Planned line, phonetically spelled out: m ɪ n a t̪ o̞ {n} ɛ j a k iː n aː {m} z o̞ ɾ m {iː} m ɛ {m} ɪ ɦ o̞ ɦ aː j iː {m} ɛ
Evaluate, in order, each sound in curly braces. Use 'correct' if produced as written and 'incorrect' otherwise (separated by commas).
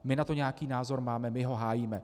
incorrect, incorrect, incorrect, correct, correct